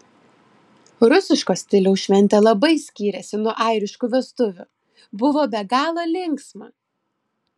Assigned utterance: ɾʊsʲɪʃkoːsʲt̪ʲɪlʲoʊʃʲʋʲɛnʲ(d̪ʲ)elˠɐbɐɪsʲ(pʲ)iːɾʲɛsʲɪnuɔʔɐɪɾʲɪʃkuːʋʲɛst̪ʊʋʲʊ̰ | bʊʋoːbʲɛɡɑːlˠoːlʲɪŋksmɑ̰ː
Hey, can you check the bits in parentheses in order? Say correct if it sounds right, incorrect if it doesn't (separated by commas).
incorrect, incorrect